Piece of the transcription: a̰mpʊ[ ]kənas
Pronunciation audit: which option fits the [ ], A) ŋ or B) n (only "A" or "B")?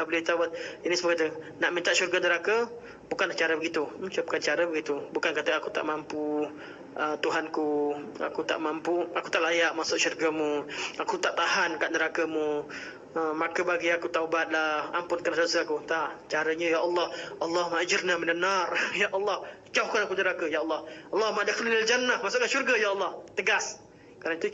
B